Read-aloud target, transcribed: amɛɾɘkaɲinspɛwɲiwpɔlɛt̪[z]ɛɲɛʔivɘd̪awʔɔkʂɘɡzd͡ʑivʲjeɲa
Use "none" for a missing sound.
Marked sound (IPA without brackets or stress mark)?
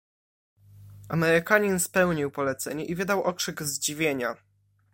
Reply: s